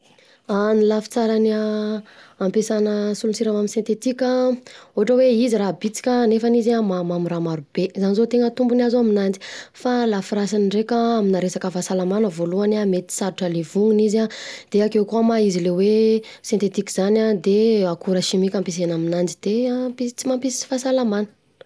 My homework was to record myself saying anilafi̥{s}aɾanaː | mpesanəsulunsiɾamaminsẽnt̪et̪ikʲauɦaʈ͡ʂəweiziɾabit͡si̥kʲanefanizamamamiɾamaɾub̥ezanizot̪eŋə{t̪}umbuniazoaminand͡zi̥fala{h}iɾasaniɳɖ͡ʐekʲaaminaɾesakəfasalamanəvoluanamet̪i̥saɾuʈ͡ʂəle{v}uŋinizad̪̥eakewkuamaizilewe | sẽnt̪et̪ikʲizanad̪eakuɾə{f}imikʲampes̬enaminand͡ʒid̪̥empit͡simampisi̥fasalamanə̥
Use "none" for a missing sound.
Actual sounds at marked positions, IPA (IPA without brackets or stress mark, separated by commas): t͡s, t̪, f, v, ʃ